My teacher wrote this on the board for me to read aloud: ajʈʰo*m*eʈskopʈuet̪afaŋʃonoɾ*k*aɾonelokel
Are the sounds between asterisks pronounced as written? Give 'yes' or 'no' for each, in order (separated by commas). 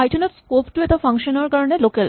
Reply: no, yes